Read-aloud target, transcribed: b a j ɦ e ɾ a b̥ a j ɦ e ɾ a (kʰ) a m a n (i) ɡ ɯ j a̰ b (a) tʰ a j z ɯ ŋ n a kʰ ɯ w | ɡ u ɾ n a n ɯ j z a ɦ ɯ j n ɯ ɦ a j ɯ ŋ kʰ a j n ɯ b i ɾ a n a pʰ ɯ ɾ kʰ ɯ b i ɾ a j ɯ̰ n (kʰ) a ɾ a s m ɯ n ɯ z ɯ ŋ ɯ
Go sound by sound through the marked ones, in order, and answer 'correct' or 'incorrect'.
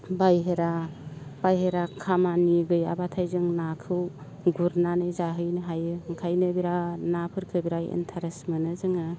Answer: correct, correct, correct, incorrect: tʰ

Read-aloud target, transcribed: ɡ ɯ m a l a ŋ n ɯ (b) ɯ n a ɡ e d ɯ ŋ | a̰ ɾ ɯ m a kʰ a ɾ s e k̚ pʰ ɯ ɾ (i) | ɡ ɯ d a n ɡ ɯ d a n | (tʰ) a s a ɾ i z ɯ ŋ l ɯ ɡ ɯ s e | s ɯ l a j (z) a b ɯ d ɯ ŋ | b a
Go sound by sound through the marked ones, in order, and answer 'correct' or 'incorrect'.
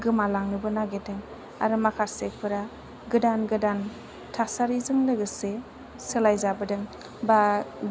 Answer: correct, incorrect: a, correct, correct

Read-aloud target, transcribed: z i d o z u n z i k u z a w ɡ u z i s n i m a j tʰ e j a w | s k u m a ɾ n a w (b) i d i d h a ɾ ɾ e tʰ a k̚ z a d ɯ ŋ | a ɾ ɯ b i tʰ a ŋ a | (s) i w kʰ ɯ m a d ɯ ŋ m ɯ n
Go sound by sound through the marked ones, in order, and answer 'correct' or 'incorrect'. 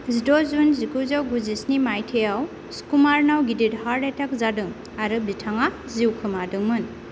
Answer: incorrect: ɡ, incorrect: z

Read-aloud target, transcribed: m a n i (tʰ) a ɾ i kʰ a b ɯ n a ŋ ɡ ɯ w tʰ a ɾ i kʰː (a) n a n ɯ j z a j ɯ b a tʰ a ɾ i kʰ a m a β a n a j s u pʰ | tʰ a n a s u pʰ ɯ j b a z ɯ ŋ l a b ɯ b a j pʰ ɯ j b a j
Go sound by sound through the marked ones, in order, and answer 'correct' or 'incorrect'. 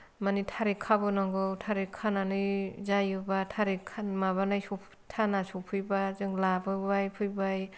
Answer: correct, correct

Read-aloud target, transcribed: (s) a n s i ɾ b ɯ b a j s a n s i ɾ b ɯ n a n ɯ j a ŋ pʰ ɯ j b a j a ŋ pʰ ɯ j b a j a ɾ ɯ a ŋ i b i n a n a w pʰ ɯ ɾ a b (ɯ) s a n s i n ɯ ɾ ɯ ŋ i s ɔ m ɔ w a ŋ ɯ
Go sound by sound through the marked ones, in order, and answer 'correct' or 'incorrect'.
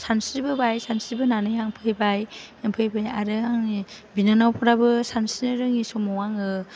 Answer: correct, correct

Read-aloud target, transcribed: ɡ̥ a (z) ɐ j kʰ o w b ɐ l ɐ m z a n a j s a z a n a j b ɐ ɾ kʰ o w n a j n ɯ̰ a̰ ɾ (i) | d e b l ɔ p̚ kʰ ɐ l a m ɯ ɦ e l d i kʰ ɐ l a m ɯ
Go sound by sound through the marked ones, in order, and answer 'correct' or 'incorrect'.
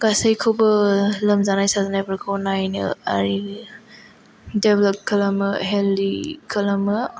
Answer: incorrect: s, correct

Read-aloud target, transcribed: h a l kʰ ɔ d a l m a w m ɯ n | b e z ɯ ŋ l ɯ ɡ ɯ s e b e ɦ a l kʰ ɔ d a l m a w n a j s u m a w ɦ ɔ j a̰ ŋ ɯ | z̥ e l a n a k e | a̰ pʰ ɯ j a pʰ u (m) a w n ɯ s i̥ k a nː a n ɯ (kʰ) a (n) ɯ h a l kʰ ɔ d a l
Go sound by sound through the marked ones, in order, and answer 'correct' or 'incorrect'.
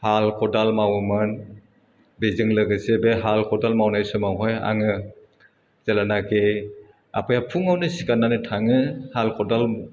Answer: incorrect: ŋ, incorrect: tʰ, incorrect: ŋ

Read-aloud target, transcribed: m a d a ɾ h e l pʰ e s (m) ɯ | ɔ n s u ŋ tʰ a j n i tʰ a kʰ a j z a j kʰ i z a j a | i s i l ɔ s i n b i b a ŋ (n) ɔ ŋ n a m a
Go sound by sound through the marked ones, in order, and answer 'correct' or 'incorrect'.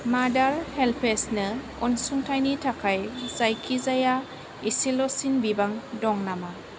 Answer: incorrect: n, incorrect: d

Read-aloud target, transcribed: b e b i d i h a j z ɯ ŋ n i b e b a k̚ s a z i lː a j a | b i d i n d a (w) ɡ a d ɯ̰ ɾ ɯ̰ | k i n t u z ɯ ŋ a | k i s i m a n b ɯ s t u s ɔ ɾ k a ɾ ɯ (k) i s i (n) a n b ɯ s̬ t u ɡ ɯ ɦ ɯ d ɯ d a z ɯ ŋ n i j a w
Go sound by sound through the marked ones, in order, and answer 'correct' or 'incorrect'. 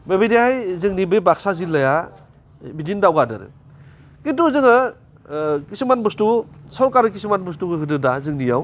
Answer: correct, correct, incorrect: m

